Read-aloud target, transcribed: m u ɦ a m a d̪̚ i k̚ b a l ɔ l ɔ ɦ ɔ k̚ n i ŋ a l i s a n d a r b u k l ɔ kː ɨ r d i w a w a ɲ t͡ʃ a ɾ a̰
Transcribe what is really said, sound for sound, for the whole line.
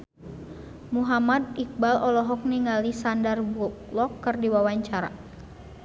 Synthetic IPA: m u ɦ a m a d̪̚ i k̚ b a l ɔ l ɔ ɦ ɔ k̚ n i ŋ a l i s a n d a r b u k l ɔ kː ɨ r d i w a w a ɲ t͡ʃ a ɾ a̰